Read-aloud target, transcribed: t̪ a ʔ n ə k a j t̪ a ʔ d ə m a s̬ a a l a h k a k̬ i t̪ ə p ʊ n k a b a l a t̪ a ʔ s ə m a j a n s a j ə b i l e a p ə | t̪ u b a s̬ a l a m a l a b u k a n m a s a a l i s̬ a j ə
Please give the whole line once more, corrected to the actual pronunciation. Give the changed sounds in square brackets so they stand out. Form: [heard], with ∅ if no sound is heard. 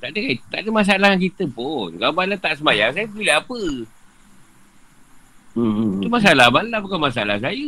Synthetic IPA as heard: t̪ a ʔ [d] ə k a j t̪ a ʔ d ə m a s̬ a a l a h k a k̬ i t̪ ə p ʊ n k a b a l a t̪ a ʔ s ə m a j a [ŋ] s a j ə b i l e a p ə | t̪ u [m] a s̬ a l a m a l a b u k a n m a s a a l [a] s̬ a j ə